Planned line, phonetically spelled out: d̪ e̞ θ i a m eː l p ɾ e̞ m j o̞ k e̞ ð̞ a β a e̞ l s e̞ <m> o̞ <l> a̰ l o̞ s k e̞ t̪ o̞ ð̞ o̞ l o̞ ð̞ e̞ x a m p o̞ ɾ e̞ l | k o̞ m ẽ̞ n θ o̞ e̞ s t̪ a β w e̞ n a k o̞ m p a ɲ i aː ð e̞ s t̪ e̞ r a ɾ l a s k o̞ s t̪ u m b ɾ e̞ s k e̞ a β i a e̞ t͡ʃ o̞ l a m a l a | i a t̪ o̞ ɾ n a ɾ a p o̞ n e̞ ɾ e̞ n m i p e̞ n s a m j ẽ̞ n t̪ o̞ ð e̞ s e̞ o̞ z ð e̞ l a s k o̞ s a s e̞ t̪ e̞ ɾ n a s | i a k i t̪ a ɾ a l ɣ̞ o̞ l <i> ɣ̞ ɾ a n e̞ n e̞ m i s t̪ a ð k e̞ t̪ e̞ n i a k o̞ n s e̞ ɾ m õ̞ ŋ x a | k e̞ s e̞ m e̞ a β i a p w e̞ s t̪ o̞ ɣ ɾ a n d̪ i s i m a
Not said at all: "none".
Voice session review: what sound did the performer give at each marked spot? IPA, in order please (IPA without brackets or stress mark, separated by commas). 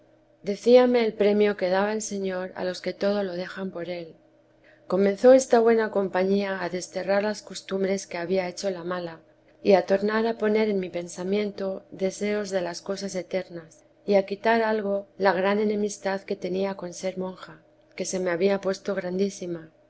ɲ, ɾ, a